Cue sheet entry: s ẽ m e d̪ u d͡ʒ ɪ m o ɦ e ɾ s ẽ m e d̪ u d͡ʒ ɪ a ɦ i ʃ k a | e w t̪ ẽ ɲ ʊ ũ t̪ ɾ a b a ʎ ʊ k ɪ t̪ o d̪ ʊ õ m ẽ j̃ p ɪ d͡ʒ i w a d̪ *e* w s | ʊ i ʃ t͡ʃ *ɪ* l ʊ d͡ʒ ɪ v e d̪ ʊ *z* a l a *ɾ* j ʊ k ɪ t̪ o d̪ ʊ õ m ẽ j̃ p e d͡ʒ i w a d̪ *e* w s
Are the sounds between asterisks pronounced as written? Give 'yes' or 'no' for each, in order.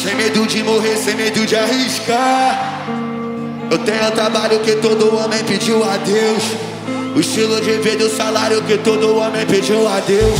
yes, no, no, yes, yes

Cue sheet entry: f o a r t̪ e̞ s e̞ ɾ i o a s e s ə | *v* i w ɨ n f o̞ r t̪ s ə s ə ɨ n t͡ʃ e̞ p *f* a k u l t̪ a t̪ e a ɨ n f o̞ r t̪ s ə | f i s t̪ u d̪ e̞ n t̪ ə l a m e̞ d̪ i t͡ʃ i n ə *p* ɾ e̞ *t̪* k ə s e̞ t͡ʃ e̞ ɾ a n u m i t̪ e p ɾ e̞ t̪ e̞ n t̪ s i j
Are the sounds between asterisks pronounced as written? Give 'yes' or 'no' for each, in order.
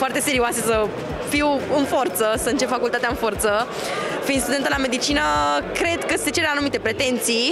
no, yes, no, no

